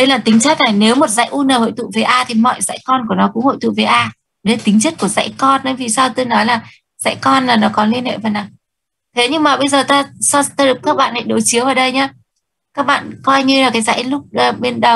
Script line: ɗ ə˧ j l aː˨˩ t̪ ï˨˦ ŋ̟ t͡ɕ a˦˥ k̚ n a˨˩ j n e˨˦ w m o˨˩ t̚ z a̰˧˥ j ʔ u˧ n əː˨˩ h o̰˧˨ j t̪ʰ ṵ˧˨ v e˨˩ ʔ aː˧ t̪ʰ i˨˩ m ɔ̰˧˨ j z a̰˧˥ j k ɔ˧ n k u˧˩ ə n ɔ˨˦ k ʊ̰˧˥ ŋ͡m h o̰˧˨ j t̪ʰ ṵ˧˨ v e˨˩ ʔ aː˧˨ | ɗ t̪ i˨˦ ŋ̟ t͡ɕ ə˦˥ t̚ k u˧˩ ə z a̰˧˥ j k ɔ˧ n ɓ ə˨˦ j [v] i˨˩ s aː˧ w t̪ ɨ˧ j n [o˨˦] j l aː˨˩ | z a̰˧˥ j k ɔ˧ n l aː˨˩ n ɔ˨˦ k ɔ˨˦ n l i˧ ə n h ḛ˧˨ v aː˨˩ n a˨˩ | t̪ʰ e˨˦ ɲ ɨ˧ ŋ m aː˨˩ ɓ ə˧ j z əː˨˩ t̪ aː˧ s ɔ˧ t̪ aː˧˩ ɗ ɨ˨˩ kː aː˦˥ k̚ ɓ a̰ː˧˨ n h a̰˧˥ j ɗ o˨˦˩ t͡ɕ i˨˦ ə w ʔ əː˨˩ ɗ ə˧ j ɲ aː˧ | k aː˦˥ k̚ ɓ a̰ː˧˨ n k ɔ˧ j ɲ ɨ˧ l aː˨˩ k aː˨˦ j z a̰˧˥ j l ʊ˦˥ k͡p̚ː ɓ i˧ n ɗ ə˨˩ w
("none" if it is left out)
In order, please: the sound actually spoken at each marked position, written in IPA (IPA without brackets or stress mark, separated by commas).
v, ɔ˨˦